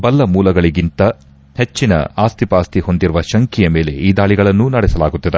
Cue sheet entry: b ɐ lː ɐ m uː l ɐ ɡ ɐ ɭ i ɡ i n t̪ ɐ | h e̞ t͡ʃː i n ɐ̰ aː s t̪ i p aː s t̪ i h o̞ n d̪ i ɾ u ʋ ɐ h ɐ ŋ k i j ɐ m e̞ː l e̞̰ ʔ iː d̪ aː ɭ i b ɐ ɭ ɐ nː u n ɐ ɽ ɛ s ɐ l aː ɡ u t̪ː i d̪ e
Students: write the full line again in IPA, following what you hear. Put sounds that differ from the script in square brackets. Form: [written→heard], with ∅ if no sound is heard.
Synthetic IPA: b ɐ lː ɐ m uː l ɐ ɡ ɐ ɭ i ɡ i n t̪ ɐ | h e̞ t͡ʃː i n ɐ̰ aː s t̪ i p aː s t̪ i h o̞ n d̪ i ɾ u ʋ ɐ [h→ʃ] ɐ ŋ k i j ɐ m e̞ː l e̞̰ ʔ iː d̪ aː ɭ i [b→ɡ] ɐ ɭ ɐ nː u n ɐ ɽ ɛ s ɐ l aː ɡ u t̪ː i d̪ e

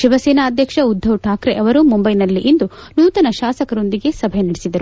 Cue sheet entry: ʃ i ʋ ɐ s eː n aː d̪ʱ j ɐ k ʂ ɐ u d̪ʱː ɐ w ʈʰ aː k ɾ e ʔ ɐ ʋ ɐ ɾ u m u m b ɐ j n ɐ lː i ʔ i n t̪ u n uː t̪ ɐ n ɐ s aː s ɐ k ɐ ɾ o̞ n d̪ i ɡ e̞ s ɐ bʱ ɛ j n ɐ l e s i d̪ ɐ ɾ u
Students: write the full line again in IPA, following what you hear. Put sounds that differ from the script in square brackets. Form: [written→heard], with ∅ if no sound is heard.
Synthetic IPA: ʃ i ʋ ɐ s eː n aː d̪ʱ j ɐ k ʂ ɐ u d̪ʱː ɐ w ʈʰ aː k ɾ e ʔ ɐ ʋ ɐ ɾ u m u m b ɐ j n ɐ lː i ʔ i n [t̪→d̪] u n uː t̪ ɐ n ɐ [s→ʃ] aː s ɐ k ɐ ɾ o̞ n d̪ i ɡ e̞ s ɐ bʱ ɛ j n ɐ [l→ɽ] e s i d̪ ɐ ɾ u

